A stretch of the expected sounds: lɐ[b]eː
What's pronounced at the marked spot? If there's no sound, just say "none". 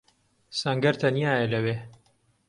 w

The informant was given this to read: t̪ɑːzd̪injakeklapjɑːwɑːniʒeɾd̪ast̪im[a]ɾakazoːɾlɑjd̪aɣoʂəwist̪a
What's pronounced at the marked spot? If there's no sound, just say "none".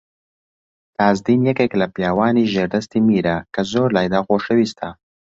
i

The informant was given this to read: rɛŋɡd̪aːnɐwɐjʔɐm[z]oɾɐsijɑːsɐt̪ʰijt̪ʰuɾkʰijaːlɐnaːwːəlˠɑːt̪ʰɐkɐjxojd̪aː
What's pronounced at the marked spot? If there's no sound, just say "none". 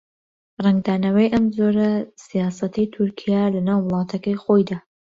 z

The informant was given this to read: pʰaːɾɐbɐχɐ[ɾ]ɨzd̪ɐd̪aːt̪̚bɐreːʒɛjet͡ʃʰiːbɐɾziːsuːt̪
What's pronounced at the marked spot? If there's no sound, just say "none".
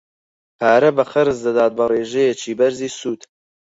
ɾ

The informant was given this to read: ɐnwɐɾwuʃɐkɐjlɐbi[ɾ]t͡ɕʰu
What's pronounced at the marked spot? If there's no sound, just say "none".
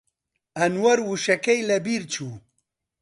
ɾ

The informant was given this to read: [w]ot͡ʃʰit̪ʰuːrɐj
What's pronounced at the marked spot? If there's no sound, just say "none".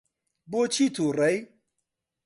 b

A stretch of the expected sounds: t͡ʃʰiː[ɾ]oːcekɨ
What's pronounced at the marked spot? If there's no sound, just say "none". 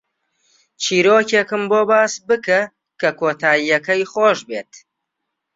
ɾ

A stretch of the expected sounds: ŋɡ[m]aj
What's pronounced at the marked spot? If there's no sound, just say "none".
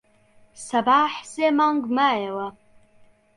m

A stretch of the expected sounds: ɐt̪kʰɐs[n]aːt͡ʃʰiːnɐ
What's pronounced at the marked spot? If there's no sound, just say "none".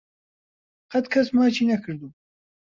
m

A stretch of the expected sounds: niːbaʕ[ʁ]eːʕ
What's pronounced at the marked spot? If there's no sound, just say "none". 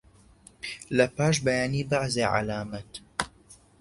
z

